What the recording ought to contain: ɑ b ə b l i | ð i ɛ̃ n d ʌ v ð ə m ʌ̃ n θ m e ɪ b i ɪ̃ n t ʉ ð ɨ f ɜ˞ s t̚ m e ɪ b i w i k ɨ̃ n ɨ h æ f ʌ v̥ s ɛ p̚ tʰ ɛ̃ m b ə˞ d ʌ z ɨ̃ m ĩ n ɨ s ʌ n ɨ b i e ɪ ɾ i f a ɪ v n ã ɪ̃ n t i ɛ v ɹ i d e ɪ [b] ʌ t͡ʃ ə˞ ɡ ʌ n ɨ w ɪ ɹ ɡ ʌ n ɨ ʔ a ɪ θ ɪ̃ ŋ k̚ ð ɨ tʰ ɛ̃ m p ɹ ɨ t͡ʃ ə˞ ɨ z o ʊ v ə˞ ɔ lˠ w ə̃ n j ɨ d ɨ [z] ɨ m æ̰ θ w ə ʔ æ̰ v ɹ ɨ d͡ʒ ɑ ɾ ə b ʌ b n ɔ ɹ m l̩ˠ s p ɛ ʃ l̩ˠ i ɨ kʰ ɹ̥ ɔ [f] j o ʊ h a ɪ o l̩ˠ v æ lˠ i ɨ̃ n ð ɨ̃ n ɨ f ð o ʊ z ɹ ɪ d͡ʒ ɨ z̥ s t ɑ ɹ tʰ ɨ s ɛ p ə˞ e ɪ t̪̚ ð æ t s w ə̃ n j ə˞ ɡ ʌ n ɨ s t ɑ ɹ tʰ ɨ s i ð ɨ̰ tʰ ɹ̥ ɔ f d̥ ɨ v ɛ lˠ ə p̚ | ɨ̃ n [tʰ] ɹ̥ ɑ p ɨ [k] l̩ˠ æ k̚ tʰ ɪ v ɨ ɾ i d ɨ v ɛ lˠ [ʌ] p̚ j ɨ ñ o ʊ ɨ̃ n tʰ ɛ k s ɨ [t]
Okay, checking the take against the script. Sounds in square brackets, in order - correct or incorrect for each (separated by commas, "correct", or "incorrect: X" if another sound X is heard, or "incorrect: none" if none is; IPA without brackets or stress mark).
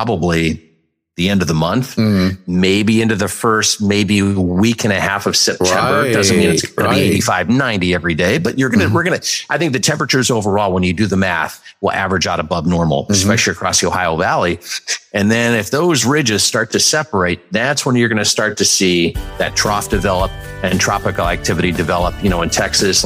correct, incorrect: ð, incorrect: s, correct, correct, incorrect: ə, incorrect: s